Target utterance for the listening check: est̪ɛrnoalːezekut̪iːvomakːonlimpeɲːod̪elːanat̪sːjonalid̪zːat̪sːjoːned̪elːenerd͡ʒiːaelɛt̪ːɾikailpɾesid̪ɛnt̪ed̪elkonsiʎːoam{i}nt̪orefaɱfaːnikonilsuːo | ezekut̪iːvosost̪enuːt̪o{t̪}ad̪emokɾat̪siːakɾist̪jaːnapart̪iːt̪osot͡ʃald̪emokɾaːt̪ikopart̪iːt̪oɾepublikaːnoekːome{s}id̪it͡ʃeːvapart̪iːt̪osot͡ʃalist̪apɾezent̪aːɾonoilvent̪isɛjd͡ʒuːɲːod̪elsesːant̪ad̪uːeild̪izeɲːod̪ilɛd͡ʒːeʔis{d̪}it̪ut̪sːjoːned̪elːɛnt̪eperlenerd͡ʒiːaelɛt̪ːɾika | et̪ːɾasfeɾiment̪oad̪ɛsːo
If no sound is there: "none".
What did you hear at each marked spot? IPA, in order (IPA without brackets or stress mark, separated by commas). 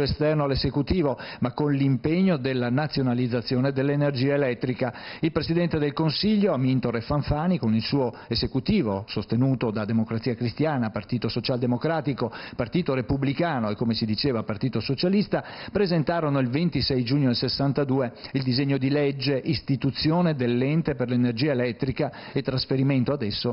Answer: i, d̪, s, t̪